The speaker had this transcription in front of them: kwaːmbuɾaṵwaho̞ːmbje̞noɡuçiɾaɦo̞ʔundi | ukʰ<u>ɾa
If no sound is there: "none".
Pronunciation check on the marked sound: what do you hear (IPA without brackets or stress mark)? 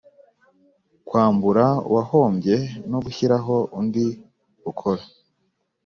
o